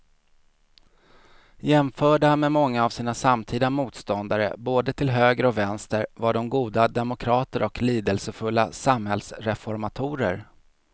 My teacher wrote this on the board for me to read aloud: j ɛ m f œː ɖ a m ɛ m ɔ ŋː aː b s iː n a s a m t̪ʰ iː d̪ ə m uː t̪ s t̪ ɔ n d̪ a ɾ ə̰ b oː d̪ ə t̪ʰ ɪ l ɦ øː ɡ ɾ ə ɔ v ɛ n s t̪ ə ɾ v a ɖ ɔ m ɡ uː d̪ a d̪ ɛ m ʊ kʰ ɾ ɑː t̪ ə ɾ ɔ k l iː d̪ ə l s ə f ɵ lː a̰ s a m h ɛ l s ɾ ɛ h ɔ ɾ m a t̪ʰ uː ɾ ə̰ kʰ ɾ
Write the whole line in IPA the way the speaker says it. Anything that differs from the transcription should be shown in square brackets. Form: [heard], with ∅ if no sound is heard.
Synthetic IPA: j ɛ m f œː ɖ a m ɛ m ɔ ŋː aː [v] s iː n a s a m t̪ʰ iː d̪ [a] m uː t̪ s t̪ ɔ n d̪ a ɾ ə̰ b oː d̪ ə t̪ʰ ɪ l ɦ øː ɡ ɾ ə ɔ v ɛ n s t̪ ə ɾ v a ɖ ɔ m ɡ uː d̪ a d̪ ɛ m ʊ kʰ ɾ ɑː t̪ ə ɾ ɔ k l iː d̪ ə l s ə f ɵ lː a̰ s a m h ɛ l s ɾ ɛ [f] ɔ ɾ m a t̪ʰ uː ɾ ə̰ [∅] ɾ